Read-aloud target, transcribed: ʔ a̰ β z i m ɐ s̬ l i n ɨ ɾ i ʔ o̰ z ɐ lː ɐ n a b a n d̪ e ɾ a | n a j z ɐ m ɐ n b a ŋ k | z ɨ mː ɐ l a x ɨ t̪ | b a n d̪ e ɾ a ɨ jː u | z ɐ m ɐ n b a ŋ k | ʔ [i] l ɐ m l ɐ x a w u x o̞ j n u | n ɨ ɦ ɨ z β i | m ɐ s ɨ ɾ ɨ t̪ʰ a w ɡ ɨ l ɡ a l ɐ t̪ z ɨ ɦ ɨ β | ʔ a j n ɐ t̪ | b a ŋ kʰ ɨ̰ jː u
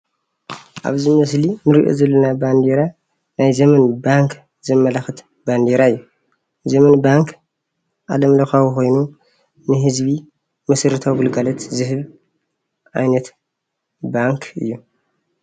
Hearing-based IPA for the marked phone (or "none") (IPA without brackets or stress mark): a